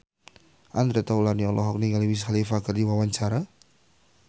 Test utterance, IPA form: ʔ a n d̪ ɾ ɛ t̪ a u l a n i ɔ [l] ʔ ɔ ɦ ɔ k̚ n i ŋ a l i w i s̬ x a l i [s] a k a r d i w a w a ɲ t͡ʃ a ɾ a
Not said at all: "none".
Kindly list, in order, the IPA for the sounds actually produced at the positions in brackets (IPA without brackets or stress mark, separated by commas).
l, f